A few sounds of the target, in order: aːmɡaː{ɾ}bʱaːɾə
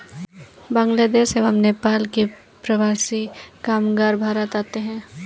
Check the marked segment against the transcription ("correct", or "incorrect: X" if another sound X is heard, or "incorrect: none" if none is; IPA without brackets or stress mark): correct